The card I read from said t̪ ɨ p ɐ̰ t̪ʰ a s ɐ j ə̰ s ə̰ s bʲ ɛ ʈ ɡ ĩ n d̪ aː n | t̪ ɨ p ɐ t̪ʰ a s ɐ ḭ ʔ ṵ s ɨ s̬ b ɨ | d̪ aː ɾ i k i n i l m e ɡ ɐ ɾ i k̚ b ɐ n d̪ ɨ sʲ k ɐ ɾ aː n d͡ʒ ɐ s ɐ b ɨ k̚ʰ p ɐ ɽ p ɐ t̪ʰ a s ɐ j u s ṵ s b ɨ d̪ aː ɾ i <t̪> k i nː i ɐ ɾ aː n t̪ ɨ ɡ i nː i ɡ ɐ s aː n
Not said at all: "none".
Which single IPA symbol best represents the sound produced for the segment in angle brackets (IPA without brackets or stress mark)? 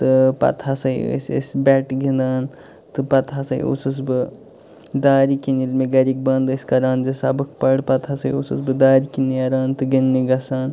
none